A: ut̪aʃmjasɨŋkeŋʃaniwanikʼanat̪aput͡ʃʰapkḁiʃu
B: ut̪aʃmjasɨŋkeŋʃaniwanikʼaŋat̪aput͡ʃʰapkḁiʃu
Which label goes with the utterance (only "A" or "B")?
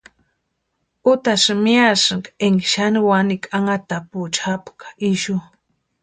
B